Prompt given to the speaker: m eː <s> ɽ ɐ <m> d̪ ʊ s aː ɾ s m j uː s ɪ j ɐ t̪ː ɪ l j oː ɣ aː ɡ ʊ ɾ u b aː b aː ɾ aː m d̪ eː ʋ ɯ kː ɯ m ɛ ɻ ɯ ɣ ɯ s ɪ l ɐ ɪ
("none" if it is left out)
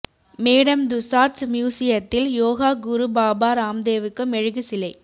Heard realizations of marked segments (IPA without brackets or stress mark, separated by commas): none, m